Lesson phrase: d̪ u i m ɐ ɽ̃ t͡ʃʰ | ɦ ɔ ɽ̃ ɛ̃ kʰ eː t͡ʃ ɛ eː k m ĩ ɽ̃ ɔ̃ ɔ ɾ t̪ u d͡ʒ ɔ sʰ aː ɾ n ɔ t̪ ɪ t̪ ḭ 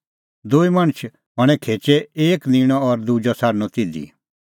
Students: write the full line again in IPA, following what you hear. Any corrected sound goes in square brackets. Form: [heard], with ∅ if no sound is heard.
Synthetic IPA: d̪ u i m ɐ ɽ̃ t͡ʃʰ | ɦ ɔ ɽ̃ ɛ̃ kʰ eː t͡ʃ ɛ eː k [n] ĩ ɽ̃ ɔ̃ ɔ ɾ [d̪] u d͡ʒ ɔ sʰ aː ɾ n ɔ t̪ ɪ [d̪] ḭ